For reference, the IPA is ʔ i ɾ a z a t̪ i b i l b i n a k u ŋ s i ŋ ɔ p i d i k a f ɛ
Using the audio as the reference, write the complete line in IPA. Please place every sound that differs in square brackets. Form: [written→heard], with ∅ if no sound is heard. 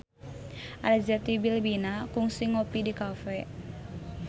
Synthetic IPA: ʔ [i→a] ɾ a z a t̪ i b i l b i n a k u ŋ s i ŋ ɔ p i d i k a f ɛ